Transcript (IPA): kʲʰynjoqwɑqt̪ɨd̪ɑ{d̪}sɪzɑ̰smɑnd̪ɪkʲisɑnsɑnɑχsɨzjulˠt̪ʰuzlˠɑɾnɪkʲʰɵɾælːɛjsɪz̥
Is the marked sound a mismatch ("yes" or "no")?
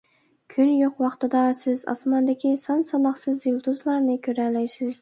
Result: yes